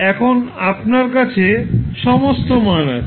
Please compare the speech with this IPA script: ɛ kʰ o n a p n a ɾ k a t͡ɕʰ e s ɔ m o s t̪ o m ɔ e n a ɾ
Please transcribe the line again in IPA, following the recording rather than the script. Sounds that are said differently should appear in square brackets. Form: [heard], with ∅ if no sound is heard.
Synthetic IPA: ɛ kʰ o n a p n a ɾ k a t͡ɕʰ e [ʃ] ɔ m o s t̪ o m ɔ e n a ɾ